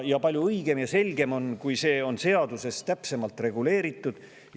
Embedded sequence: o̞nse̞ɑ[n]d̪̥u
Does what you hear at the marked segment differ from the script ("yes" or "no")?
yes